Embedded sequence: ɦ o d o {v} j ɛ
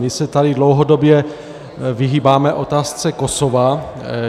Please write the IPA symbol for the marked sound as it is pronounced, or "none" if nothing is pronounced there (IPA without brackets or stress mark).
b